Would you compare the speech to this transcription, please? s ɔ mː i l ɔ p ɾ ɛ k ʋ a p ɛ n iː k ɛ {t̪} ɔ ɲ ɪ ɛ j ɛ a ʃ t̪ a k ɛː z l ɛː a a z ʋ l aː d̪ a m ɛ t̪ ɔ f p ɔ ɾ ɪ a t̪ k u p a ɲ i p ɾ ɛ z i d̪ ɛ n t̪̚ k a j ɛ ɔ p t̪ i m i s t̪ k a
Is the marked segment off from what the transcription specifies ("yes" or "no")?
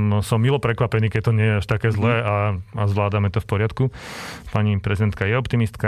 no